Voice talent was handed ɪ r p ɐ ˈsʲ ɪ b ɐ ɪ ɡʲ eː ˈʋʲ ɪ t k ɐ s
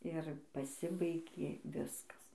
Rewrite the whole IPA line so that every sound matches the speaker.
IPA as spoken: ɪ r p ɐ ˈsʲ ɪ b ɐ ɪ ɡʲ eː ˈʋʲ ɪ s k ɐ s